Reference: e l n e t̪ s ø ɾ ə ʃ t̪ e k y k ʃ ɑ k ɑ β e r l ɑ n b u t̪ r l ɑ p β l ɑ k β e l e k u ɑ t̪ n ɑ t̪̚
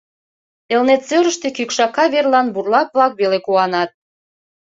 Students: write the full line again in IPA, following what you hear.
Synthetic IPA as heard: e l n e t̪ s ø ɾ ə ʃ t̪ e k y k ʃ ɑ k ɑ β e r l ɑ n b u r l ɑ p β l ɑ k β e l e k u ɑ n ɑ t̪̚